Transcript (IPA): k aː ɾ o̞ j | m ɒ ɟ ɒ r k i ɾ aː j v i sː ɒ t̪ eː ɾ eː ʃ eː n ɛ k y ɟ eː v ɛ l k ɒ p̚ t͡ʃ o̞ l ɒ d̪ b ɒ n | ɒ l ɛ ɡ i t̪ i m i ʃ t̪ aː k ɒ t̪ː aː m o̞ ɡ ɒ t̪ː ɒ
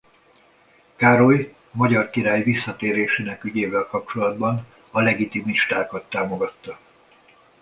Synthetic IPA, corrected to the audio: k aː ɾ o̞ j | m ɒ ɟ ɒ r k i ɾ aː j v i sː ɒ t̪ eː ɾ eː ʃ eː n ɛ k y ɟ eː v ɛ l k ɒ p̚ t͡ʃ o̞ l ɒ d̪ b ɒ n | ɒ l ɛ ɡ i t̪ i m i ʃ t̪ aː k ɒ t̪ː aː m o̞ ɡ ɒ t̪ː ɒ